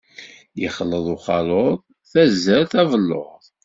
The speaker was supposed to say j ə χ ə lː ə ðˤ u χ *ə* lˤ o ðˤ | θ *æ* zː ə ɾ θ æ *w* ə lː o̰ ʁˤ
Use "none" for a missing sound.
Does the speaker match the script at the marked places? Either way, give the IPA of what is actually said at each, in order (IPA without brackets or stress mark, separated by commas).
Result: ɑ, æ, v